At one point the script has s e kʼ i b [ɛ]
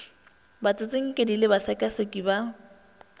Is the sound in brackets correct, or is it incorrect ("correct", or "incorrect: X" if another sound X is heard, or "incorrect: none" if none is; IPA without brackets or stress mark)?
incorrect: a